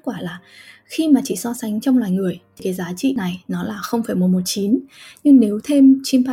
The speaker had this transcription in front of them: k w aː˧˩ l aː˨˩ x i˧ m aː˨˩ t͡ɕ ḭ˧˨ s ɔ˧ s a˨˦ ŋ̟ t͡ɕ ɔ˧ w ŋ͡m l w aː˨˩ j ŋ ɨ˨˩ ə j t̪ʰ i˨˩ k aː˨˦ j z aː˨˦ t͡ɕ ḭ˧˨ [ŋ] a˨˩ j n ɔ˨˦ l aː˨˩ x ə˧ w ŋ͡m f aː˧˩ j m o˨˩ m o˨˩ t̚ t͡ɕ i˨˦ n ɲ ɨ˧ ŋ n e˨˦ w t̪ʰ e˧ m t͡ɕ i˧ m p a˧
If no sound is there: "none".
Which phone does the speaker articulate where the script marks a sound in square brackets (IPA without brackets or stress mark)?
n